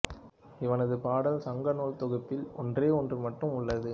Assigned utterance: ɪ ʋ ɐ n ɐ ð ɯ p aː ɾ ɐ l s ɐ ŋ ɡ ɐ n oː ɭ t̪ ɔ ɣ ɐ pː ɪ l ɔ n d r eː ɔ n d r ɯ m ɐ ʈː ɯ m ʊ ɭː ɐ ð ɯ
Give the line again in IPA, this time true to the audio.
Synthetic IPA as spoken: ɪ ʋ ɐ n ɐ ð ɯ p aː ɽ ɐ l s ɐ ŋ ɡ ɐ n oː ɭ t̪ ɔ ɣ ɐ pː ɪ l ɔ n d r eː ɔ n d r ɯ m ɐ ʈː ɯ m ʊ ɭː ɐ ð ɯ